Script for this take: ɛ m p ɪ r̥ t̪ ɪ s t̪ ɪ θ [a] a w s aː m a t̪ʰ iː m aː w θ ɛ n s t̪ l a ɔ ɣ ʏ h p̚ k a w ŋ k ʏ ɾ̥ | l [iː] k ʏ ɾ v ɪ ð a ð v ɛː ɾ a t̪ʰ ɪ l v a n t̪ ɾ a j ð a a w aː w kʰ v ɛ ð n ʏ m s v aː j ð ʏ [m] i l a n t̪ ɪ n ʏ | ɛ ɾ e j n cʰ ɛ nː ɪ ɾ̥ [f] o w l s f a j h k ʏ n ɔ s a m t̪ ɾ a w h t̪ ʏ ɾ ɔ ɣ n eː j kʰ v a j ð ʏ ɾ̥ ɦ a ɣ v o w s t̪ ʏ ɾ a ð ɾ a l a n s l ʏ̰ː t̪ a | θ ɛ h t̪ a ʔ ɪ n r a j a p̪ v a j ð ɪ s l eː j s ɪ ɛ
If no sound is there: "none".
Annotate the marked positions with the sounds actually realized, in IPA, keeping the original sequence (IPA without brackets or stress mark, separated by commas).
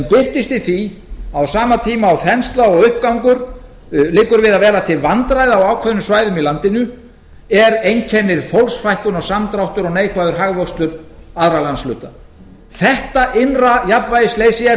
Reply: i, ɪː, m, f